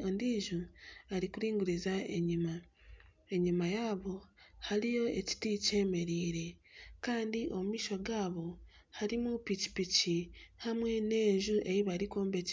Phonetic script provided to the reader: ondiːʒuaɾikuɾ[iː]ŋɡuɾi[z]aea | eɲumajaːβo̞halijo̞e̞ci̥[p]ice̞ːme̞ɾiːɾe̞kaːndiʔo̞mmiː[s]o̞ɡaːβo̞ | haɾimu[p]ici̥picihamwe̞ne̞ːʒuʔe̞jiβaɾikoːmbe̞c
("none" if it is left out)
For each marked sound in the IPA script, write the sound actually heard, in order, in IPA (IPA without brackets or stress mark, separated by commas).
iː, z, t, ʃ, p